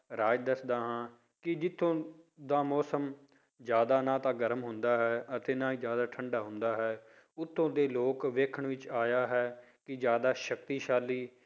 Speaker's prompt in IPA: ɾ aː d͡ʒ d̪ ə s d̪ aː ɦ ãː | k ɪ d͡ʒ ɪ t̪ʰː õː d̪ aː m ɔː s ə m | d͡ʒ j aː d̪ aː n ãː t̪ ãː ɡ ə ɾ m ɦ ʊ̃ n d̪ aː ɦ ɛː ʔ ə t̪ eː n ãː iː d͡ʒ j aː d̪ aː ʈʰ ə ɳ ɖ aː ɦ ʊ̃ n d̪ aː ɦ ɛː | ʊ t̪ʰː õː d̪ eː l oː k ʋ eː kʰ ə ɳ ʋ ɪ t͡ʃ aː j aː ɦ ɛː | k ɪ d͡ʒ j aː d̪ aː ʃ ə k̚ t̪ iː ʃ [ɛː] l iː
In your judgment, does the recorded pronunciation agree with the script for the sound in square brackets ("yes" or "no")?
no